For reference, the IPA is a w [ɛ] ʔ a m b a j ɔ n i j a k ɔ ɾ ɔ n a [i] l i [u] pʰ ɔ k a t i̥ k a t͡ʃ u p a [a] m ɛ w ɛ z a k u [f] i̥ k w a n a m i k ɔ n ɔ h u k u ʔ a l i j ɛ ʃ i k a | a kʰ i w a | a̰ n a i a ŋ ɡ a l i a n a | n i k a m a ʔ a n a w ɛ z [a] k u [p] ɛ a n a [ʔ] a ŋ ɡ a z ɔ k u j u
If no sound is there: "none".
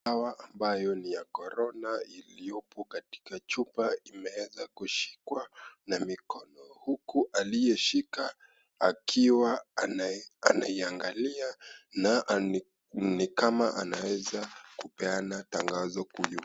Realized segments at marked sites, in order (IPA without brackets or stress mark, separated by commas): a, i, ɔ, i, ʃ, a, p, t